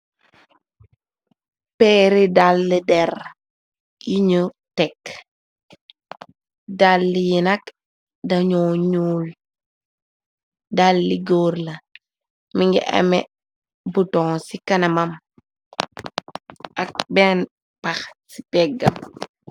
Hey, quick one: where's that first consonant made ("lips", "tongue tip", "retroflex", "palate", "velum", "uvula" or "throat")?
lips